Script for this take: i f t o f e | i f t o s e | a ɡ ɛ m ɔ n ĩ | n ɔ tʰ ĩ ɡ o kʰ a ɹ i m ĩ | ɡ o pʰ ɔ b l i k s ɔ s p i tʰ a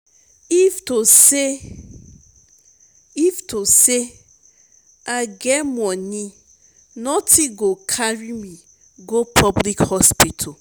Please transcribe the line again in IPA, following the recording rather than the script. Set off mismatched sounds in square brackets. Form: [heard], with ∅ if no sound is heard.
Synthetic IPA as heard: i f t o [s] e | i f t o s e | a ɡ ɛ m ɔ n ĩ | n ɔ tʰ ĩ ɡ o kʰ a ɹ i m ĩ | ɡ o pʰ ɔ b l i k [h] ɔ s p i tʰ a